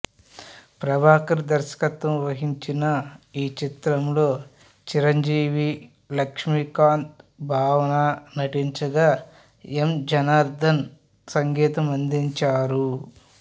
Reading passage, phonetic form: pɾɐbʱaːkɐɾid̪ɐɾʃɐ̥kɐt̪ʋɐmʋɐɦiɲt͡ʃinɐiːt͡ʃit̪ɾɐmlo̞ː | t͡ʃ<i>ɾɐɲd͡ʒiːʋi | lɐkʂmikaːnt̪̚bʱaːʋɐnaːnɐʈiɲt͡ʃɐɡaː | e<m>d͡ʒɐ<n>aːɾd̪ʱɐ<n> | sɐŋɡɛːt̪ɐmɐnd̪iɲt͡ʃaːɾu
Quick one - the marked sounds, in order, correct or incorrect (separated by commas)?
correct, correct, correct, correct